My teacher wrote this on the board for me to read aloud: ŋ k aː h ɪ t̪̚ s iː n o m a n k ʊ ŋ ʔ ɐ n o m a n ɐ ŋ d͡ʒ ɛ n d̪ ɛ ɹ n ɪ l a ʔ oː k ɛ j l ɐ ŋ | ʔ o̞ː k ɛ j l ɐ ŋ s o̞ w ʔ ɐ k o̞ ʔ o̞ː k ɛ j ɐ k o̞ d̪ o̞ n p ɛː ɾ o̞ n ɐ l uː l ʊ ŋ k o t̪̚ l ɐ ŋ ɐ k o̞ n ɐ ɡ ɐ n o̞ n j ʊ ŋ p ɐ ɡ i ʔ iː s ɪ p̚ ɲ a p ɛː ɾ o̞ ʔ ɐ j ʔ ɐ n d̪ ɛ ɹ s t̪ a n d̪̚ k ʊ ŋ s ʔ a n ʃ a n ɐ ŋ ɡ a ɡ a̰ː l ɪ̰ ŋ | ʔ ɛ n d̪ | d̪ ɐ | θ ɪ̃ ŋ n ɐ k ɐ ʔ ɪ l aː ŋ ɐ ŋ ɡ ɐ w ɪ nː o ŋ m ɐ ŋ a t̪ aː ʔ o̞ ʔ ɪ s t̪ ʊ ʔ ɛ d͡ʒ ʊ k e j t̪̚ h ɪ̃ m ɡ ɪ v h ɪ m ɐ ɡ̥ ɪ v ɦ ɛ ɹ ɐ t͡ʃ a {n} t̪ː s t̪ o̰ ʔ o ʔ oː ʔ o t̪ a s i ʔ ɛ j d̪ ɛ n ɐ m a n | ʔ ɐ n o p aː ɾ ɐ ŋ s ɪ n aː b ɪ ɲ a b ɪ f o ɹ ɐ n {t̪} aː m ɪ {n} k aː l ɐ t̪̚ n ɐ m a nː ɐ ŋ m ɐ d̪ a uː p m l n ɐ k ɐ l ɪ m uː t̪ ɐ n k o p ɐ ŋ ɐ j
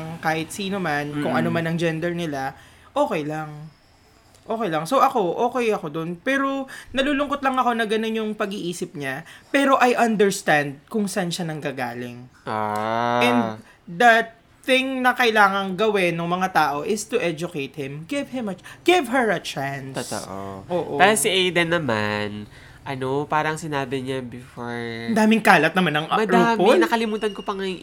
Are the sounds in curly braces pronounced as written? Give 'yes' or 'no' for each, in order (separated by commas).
yes, no, no